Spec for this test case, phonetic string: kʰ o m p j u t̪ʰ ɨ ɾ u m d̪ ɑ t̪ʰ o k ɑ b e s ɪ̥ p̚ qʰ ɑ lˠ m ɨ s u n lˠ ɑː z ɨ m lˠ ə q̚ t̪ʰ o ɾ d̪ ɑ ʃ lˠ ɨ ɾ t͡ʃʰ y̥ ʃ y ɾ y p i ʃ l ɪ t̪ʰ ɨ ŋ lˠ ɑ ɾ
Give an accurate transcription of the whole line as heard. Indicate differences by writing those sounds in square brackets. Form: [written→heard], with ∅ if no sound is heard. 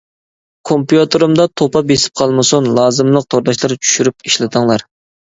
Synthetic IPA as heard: kʰ o m p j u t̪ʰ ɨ ɾ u m d̪ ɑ t̪ʰ o [k→p] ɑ b e s ɪ̥ p̚ qʰ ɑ lˠ m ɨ s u n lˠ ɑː z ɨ m lˠ ə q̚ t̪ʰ o ɾ d̪ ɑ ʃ lˠ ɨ ɾ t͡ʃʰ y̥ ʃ y ɾ y p i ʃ l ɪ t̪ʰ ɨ ŋ lˠ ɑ ɾ